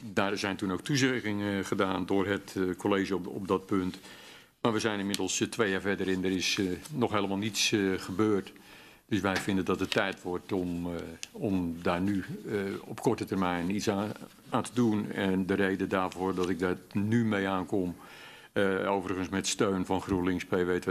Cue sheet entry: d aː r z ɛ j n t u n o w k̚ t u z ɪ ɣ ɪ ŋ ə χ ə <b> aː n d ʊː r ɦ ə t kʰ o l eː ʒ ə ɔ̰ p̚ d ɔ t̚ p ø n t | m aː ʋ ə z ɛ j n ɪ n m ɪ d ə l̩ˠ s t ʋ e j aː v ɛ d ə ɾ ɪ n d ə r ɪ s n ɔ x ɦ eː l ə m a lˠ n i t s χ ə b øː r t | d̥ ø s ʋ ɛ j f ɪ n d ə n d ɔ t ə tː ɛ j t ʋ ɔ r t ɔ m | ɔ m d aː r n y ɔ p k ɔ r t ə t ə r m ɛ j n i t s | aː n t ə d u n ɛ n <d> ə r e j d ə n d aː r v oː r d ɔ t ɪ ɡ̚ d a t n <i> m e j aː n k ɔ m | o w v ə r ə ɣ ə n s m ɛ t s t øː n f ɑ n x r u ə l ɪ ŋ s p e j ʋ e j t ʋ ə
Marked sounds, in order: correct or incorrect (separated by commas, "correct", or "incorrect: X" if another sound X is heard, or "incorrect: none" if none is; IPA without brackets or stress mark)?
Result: incorrect: d, correct, incorrect: y